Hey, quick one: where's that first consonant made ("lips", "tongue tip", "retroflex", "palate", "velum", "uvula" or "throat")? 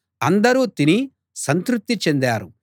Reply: tongue tip